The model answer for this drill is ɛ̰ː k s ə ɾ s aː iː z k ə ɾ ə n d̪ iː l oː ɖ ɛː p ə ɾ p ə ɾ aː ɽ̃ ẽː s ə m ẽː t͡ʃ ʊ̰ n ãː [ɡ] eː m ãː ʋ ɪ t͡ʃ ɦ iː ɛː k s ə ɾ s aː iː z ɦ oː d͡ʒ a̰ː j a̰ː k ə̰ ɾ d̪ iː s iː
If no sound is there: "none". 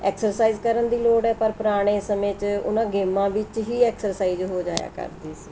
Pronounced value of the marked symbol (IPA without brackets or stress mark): ɡ